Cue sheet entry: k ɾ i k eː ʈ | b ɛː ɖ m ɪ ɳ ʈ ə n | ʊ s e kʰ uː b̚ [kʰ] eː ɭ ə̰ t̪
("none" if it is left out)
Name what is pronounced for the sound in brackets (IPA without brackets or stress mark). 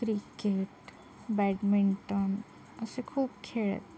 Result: kʰ